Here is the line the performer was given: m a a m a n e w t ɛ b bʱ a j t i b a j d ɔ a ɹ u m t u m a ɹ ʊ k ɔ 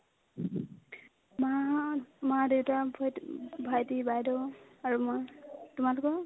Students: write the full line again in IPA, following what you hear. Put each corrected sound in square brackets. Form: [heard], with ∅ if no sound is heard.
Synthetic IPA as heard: m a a m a [d] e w t [a] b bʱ a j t i b a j d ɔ a ɹ u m t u m a [l] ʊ k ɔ